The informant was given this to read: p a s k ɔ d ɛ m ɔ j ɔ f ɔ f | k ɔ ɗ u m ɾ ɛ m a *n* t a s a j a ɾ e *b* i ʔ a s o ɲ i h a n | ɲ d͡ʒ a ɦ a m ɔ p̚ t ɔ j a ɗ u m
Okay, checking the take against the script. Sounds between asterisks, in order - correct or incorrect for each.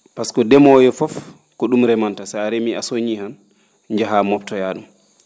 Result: correct, incorrect

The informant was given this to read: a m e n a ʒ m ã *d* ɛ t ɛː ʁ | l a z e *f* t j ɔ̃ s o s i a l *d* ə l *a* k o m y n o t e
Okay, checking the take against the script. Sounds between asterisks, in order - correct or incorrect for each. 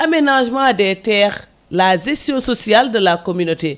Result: correct, incorrect, correct, correct

